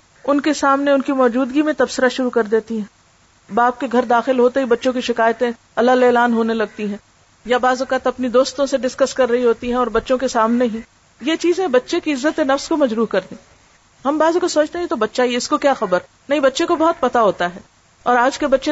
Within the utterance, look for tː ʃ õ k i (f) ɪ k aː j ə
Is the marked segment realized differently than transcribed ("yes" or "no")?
yes